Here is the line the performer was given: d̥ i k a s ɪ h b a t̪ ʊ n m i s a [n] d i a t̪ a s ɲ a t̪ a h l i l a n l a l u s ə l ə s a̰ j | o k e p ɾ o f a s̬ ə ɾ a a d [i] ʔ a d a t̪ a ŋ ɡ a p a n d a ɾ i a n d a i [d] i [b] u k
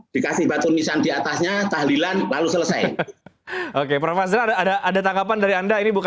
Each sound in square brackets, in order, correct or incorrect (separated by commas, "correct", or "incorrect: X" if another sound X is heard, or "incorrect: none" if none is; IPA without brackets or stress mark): correct, incorrect: a, incorrect: n, correct